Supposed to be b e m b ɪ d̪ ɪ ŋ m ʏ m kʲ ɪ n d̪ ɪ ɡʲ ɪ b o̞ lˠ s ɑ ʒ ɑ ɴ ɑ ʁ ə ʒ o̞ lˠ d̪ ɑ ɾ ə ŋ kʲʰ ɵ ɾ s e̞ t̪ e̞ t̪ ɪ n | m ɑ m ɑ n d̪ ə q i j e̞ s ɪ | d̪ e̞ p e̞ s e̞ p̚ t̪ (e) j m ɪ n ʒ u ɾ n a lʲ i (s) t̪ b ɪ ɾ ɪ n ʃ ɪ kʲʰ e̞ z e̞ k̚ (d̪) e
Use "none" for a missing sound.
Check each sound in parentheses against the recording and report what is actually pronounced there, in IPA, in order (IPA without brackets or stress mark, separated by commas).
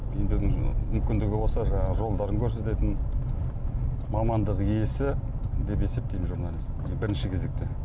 e, s, t̪